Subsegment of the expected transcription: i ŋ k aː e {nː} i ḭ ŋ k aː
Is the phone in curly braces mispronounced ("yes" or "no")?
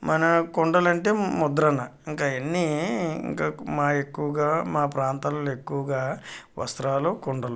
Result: no